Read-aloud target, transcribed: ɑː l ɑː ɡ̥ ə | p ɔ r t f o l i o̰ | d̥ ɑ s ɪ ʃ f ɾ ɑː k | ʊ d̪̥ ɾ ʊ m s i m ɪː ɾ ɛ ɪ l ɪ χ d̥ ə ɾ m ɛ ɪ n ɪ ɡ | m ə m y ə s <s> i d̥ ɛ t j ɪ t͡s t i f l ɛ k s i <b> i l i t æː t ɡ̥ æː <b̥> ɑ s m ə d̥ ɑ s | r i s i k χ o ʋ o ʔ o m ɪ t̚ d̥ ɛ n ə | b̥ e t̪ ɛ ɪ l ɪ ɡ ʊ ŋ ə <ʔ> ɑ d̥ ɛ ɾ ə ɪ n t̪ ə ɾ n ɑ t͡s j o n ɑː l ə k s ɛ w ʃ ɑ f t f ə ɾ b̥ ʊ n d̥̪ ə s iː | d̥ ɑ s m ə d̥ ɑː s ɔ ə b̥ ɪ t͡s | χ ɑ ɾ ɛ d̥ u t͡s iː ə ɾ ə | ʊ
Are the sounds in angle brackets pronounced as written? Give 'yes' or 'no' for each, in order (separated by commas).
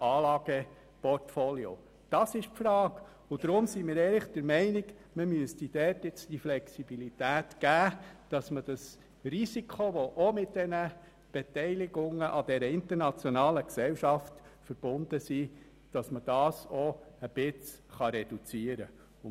no, yes, no, yes